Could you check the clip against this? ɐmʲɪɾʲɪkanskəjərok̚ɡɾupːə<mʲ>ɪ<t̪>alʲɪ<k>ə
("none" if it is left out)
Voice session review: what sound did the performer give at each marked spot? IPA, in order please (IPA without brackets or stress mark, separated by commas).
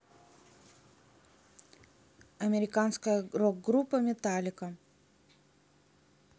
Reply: mʲ, t̪, k